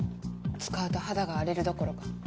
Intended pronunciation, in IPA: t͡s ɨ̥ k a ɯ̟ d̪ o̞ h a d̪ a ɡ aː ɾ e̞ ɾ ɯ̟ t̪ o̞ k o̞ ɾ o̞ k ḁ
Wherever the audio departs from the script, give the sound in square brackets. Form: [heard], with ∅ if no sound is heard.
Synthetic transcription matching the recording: t͡s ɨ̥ k a ɯ̟ [t̪] o̞ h a d̪ a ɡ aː ɾ e̞ ɾ ɯ̟ [d̪] o̞ k o̞ ɾ o̞ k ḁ